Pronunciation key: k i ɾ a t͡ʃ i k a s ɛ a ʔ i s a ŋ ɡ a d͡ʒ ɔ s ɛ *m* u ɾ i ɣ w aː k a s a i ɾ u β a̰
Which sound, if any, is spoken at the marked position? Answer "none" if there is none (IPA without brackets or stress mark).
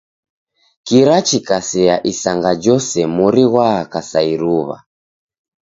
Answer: m